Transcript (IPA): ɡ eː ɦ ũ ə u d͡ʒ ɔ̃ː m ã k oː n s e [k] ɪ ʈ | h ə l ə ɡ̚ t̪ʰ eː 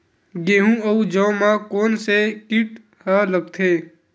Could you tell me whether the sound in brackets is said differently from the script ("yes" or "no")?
no